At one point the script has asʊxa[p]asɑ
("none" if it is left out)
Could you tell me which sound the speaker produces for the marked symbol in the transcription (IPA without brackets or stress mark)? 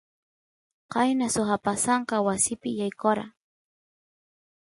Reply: p